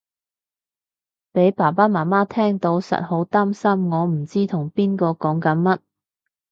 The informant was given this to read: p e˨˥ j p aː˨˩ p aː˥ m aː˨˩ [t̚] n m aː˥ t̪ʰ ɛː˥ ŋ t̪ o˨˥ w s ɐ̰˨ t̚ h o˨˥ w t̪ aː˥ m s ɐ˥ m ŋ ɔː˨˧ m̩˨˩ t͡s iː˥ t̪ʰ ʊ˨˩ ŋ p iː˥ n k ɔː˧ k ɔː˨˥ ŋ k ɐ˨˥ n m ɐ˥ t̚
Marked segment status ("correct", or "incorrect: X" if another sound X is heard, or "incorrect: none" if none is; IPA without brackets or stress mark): incorrect: none